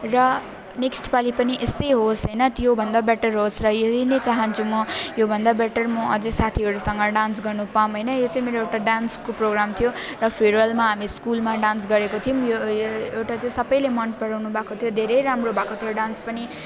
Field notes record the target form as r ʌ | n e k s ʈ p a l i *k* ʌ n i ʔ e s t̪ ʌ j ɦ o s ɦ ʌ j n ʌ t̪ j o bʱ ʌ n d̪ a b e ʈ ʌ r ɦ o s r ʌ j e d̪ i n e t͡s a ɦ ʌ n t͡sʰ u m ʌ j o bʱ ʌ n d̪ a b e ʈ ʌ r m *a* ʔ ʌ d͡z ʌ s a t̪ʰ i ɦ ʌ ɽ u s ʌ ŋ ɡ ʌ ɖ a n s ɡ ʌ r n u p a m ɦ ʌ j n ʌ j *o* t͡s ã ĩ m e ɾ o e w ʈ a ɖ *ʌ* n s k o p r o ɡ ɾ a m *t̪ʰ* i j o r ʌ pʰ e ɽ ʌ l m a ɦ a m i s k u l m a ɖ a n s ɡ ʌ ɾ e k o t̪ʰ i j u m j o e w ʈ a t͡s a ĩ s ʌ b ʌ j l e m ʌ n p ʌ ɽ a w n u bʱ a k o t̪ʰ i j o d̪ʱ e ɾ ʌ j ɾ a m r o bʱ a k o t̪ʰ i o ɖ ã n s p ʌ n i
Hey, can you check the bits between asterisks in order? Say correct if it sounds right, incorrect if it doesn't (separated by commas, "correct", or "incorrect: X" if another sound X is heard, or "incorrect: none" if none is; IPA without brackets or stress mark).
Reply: incorrect: p, incorrect: ʌ, correct, incorrect: a, correct